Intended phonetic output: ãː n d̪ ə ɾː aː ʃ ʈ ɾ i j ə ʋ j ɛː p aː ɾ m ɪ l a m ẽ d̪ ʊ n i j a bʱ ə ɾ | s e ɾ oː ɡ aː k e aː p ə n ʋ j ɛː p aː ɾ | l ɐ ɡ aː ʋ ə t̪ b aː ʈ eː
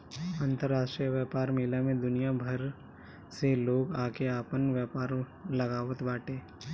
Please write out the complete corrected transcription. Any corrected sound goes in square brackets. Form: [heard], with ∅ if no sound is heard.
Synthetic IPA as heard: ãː n [t̪] ə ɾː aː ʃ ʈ ɾ i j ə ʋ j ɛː p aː ɾ m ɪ l a m ẽ d̪ ʊ n i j a bʱ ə ɾ | s e [l] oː ɡ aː k e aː p ə n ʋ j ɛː p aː ɾ | l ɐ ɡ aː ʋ ə t̪ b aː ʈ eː